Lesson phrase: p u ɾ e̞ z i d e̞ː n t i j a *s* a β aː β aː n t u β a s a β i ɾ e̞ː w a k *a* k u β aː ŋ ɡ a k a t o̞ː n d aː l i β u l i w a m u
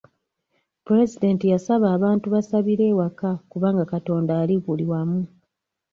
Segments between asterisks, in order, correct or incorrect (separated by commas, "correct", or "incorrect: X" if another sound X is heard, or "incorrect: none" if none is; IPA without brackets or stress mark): correct, correct